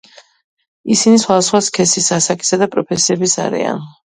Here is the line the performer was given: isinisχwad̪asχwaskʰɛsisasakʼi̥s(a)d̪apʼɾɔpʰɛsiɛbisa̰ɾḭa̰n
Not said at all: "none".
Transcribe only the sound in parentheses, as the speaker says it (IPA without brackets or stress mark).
a